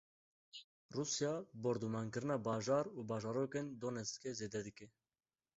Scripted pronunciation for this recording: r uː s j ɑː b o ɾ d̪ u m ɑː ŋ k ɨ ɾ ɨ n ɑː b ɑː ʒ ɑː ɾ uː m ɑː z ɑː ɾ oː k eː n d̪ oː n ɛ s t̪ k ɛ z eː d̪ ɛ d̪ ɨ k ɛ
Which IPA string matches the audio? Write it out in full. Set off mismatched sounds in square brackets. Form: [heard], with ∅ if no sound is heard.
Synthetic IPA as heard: r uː s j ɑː b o ɾ d̪ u m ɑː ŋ k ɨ ɾ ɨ n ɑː b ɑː ʒ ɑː ɾ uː [b] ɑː [ʒ] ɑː ɾ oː k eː n d̪ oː n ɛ s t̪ k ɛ z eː d̪ ɛ d̪ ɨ k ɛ